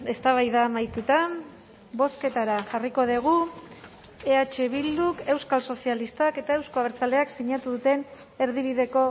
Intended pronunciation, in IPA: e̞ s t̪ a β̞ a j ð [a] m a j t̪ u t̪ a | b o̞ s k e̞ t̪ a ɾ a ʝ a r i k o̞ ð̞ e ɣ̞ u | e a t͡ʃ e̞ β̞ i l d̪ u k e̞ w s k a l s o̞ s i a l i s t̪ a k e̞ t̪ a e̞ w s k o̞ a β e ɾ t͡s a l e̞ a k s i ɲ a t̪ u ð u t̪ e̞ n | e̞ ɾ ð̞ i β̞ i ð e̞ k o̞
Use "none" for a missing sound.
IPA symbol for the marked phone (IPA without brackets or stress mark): a